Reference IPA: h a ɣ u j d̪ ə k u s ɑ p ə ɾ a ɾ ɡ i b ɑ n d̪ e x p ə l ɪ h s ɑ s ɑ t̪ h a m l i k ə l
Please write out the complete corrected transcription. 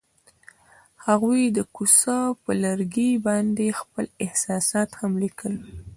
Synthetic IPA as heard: h a ɣ u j d̪ ə k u s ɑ p ə l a ɾ ɡ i b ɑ n d̪ e x p ə l ɪ h s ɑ s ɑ t̪ h a m l i k ə l